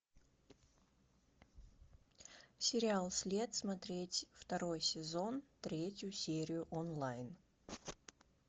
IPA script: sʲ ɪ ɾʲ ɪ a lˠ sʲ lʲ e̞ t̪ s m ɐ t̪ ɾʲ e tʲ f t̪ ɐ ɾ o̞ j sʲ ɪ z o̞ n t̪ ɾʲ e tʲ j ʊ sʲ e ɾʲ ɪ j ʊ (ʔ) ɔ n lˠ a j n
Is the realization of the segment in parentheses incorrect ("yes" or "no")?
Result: no